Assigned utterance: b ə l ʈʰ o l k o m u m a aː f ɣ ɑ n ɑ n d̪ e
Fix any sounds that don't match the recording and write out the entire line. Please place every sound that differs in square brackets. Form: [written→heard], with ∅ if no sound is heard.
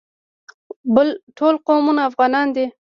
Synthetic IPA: b ə l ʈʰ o l [k→q] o m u [m→n] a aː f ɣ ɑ n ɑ n d̪ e